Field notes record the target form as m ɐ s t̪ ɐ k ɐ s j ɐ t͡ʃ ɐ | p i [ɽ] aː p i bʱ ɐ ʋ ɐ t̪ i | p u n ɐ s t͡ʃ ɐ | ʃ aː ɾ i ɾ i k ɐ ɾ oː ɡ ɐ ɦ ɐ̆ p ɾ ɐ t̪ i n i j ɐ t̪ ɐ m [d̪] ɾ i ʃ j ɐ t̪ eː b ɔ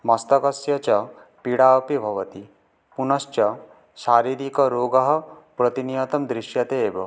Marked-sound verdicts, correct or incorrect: correct, correct

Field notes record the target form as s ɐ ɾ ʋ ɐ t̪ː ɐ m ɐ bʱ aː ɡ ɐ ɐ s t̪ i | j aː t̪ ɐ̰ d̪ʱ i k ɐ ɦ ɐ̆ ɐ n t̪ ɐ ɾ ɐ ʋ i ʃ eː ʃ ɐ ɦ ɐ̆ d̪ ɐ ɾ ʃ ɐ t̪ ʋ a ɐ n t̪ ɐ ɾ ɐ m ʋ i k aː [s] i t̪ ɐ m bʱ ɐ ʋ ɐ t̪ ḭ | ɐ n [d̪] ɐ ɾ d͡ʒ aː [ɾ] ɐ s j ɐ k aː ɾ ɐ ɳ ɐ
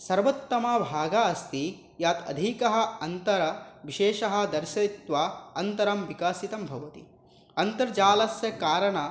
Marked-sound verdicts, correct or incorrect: correct, incorrect, incorrect

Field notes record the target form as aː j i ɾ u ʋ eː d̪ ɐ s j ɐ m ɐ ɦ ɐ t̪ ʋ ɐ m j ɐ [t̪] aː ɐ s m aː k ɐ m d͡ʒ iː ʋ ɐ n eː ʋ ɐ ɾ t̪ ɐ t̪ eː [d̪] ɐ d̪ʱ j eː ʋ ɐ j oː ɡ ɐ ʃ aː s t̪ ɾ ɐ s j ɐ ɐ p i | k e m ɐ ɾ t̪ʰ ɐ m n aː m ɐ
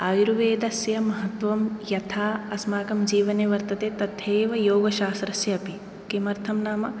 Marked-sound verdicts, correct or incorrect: incorrect, incorrect

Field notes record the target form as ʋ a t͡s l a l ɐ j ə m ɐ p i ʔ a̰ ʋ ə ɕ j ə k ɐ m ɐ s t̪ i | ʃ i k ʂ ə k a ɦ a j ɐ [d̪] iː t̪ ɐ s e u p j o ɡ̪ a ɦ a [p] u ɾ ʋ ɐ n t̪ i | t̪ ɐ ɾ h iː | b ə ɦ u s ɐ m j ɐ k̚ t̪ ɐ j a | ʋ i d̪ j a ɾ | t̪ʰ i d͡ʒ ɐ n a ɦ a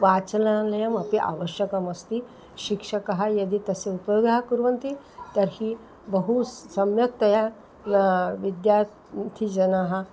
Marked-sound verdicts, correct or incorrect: correct, incorrect

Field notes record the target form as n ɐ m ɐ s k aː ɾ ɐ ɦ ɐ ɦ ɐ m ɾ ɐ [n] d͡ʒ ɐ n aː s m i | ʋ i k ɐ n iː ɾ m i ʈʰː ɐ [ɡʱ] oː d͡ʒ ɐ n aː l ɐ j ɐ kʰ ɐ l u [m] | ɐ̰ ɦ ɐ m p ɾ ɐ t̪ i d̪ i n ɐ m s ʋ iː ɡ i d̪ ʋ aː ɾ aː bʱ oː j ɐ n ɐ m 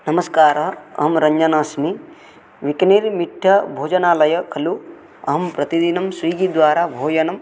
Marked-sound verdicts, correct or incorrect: incorrect, incorrect, incorrect

